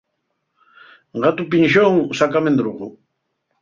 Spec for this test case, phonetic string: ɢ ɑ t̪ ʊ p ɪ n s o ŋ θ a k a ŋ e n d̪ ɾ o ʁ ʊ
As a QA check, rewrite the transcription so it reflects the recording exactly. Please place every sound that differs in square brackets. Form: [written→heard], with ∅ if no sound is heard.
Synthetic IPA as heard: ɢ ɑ t̪ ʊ p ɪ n [s→ʃ] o ŋ [θ→s] a k a [ŋ→m] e n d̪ ɾ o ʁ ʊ